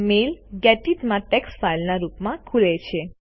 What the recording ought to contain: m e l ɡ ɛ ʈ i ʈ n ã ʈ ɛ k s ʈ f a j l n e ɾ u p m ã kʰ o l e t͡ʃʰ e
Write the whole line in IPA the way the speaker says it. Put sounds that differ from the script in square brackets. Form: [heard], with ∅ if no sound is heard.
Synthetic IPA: m e l ɡ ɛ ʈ i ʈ [m] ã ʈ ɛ k s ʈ f a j l n [a] ɾ u p m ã kʰ [u] l e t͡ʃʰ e